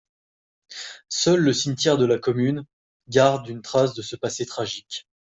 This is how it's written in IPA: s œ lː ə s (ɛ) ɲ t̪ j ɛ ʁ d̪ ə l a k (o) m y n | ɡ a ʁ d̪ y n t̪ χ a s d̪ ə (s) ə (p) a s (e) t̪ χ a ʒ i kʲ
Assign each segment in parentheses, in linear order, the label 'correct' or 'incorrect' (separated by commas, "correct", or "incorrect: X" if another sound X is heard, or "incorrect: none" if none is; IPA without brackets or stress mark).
incorrect: i, incorrect: ɔ, correct, correct, correct